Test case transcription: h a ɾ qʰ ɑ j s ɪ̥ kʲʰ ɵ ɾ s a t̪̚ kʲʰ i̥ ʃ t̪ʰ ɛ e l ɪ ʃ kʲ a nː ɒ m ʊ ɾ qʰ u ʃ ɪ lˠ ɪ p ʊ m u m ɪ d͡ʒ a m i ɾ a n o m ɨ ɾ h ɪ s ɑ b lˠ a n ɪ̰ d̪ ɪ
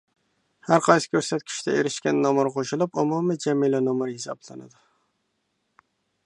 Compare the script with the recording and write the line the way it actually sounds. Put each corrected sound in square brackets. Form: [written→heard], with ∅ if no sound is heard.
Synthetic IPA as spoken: h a ɾ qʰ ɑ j s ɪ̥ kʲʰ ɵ ɾ s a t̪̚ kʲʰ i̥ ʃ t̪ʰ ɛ e [l→ɾ] ɪ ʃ kʲ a nː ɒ m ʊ ɾ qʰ [u→o] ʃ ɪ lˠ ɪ p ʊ m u m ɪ d͡ʒ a m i [ɾ→l] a n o m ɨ ɾ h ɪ s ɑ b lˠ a n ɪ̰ d̪ ɪ